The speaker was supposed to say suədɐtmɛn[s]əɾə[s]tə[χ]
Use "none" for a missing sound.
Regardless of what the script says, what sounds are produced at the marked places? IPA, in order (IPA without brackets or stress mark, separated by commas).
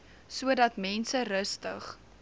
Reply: s, s, χ